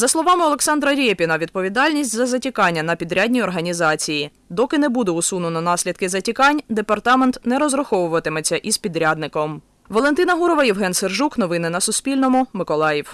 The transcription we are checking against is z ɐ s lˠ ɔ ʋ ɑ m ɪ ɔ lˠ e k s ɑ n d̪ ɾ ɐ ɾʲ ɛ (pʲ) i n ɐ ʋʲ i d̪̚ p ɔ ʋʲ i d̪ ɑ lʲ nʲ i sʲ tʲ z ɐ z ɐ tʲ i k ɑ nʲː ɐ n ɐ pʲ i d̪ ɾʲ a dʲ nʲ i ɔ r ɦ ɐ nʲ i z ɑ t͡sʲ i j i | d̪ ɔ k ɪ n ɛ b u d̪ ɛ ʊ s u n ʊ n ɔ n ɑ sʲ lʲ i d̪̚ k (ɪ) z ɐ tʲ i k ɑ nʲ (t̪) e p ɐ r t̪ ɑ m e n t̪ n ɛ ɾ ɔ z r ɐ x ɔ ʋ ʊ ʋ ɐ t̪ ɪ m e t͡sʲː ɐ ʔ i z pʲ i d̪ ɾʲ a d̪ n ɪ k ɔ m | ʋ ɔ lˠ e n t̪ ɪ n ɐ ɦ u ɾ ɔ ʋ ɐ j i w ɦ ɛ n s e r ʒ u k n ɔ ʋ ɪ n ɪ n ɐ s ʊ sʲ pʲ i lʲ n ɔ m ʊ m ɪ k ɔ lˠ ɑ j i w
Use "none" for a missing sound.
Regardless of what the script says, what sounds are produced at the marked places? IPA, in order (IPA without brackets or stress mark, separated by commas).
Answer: pʲ, ɪ, d̪